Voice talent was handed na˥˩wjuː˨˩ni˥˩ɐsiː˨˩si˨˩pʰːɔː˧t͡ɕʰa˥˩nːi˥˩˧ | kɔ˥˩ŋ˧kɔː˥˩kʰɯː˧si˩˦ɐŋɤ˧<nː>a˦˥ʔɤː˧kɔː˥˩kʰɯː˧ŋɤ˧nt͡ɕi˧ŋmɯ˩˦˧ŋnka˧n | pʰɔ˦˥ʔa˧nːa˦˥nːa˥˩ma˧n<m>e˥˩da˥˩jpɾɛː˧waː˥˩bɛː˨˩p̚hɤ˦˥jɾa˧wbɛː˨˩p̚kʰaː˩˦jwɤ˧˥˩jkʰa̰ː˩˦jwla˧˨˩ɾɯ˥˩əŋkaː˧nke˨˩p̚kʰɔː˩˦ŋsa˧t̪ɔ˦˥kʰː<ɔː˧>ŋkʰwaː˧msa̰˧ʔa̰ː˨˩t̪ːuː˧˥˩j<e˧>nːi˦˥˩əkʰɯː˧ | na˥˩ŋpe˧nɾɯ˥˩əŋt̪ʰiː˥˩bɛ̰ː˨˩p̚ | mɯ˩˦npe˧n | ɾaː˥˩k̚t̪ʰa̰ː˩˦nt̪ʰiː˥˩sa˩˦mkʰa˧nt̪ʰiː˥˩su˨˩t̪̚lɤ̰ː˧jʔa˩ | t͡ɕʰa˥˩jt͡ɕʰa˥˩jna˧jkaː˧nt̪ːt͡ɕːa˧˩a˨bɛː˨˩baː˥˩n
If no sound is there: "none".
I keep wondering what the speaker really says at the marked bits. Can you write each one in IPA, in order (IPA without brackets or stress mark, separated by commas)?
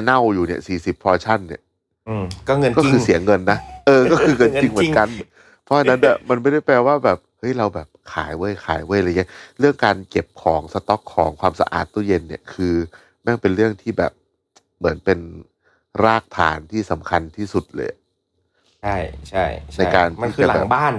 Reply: nː, m, ɔː˩˦, e˧